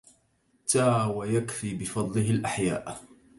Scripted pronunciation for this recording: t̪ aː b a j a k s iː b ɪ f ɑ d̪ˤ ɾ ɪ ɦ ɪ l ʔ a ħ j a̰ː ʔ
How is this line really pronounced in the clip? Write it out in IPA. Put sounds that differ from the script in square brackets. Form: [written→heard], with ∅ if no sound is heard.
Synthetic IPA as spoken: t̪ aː [b→w] a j a k [s→f] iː b ɪ f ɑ d̪ˤ [ɾ→l] ɪ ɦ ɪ l ʔ a ħ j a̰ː ʔ